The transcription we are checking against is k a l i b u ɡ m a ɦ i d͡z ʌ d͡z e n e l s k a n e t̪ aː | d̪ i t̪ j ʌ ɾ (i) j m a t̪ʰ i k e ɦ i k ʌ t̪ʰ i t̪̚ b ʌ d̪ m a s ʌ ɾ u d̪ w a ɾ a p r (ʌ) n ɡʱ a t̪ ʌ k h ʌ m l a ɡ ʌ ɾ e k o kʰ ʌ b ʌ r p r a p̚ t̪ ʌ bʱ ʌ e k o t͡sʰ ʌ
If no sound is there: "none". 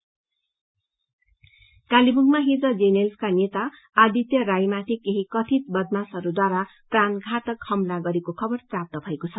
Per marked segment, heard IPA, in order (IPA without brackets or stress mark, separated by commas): a, a